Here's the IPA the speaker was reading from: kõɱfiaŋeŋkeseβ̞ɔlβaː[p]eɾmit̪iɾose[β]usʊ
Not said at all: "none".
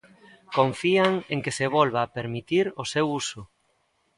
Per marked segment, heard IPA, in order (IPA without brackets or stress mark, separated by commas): p, w